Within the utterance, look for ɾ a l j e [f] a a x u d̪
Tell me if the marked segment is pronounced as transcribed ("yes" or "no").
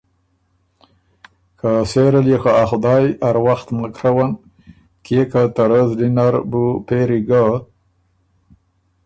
no